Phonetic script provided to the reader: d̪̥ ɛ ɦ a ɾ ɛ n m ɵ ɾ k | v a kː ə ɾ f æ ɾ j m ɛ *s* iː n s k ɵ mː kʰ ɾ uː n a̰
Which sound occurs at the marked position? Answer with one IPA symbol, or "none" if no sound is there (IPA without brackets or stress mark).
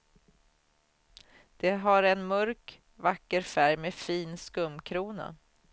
f